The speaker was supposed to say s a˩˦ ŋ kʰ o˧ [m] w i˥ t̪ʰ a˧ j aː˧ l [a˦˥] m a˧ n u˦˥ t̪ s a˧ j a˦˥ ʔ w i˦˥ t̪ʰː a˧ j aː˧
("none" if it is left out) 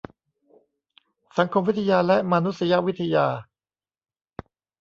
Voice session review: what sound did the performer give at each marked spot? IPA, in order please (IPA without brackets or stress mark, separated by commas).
m, ɛ˦˥